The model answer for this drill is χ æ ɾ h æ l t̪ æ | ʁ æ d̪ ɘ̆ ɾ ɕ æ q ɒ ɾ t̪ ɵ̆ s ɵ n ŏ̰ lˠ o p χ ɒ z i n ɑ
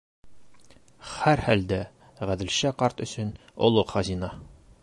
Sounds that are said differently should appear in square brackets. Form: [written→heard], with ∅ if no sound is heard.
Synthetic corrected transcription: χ æ ɾ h æ l [t̪→d̪] æ | ʁ æ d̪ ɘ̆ [ɾ→l] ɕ æ q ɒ ɾ t̪ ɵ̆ s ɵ n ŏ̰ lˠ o [p→q] χ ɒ z i n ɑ